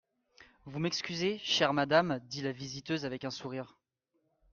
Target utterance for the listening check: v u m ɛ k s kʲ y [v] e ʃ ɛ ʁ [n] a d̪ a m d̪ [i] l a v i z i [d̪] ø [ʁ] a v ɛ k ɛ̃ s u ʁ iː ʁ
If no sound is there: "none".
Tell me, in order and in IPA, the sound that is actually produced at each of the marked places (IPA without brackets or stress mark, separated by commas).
z, m, i, t̪, z